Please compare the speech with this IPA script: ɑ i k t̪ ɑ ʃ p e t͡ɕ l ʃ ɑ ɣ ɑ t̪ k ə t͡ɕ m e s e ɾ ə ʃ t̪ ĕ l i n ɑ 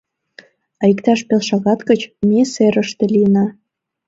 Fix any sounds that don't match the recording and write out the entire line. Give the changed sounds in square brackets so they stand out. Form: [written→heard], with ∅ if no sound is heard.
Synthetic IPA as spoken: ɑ i k t̪ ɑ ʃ p e [t͡ɕ→∅] l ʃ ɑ ɣ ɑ t̪ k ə t͡ɕ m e s e ɾ ə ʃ t̪ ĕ l i n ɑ